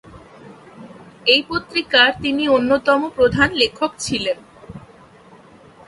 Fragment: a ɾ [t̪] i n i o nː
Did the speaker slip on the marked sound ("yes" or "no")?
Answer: no